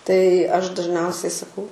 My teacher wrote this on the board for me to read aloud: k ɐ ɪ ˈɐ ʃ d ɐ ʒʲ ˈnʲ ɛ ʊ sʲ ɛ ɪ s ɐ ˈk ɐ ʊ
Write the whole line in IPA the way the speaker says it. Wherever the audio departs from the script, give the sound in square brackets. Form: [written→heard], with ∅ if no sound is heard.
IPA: [k→t] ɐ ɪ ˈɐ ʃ d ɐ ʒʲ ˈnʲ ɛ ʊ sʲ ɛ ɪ s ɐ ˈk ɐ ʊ